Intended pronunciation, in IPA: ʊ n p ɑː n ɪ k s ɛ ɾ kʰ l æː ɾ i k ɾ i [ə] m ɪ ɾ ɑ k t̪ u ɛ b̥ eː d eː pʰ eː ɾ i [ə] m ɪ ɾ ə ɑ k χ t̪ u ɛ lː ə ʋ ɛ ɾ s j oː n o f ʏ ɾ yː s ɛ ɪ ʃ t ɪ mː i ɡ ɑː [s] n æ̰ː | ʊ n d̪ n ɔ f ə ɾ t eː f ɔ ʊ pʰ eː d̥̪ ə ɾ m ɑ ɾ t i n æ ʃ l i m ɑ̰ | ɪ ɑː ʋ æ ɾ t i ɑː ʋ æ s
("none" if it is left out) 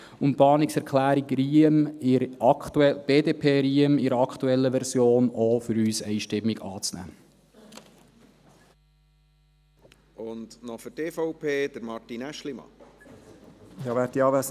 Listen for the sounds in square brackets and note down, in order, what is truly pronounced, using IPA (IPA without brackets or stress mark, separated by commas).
ə, ə, t͡s